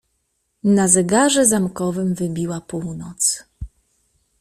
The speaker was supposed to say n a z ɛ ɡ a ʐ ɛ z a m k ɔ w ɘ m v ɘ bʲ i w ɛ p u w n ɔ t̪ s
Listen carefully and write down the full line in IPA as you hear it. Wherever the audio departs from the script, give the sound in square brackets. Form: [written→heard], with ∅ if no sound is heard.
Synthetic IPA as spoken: n a z ɛ ɡ a ʐ ɛ z a m k ɔ [w→v] ɘ m v ɘ bʲ i w [ɛ→a] p u w n ɔ t̪ s